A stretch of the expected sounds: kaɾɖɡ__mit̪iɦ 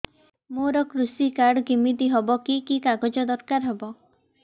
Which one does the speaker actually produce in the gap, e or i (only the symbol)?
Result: i